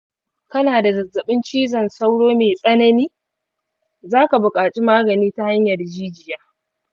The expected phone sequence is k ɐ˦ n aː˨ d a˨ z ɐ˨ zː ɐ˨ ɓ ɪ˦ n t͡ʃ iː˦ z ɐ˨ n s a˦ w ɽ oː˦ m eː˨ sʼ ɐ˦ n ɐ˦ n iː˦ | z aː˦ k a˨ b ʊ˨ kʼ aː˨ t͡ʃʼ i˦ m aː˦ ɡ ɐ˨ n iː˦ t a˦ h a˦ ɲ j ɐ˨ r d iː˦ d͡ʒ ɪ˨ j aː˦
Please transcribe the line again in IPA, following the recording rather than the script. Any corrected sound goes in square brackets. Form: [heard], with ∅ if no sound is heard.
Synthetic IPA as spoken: k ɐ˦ n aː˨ d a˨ z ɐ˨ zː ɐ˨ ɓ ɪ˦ n t͡ʃ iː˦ z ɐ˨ n s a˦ w ɽ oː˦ m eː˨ sʼ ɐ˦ n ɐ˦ n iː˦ | z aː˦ k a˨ b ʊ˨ kʼ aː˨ t͡ʃʼ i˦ m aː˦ ɡ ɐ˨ n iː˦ t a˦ h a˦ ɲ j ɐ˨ r [d͡ʒ] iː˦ d͡ʒ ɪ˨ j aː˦